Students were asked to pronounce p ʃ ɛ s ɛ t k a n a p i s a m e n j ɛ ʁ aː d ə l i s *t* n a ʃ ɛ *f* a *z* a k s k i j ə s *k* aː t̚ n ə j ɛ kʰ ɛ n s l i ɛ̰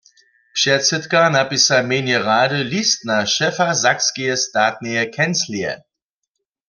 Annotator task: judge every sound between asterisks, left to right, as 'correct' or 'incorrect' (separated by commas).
correct, correct, correct, incorrect